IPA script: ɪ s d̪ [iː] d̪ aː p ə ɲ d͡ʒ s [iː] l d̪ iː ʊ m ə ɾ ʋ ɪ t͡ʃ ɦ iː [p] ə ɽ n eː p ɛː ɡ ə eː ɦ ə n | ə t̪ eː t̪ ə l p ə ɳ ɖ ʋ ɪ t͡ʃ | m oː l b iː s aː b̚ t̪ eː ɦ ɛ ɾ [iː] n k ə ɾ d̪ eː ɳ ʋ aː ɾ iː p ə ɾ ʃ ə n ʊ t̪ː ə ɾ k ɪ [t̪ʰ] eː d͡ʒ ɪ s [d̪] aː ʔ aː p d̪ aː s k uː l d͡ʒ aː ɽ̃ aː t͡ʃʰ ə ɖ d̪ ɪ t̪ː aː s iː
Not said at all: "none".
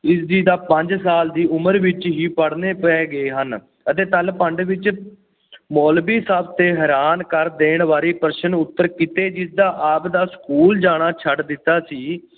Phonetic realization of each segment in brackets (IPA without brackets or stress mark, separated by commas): iː, aː, p, aː, t̪, d̪